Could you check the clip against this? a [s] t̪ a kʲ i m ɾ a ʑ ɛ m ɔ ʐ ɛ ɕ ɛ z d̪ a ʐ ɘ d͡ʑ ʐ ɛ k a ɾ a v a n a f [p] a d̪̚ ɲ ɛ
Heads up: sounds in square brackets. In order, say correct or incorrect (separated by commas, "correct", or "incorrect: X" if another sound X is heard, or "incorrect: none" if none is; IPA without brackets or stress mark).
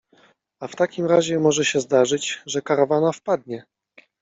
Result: incorrect: f, correct